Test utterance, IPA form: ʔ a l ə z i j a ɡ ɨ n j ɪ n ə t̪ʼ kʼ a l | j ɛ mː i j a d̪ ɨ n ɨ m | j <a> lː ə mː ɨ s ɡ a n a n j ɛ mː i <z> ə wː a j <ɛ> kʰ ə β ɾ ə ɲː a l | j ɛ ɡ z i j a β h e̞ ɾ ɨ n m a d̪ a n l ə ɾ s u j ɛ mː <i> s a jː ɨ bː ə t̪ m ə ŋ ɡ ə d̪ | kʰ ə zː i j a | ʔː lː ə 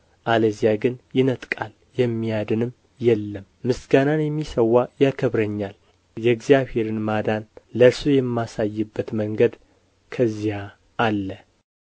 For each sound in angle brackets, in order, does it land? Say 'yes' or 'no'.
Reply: no, no, no, no

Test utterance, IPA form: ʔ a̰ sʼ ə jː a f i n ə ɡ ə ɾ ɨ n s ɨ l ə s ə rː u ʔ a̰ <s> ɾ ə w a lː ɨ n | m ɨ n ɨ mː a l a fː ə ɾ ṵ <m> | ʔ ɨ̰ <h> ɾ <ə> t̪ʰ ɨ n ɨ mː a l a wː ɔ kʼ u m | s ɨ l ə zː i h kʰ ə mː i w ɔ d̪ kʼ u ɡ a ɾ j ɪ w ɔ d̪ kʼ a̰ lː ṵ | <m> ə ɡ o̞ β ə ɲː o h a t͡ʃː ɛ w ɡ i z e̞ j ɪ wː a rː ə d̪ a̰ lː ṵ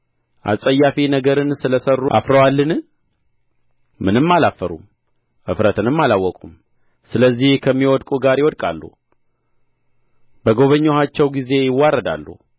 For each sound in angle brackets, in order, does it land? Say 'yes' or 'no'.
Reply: no, yes, no, yes, no

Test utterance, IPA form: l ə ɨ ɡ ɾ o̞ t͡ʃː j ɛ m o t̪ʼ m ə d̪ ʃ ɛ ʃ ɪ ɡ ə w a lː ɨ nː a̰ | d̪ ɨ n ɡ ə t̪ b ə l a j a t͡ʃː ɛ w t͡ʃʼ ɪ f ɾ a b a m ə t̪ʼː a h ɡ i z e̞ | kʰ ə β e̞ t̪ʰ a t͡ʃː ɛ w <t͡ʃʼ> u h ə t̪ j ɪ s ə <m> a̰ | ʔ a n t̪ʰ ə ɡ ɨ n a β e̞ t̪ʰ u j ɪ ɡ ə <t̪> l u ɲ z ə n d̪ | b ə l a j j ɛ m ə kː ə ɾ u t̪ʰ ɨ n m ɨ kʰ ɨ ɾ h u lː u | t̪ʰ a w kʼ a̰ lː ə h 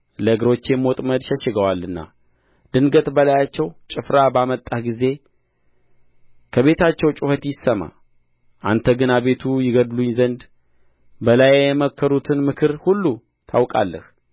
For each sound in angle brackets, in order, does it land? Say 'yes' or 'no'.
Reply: yes, yes, no

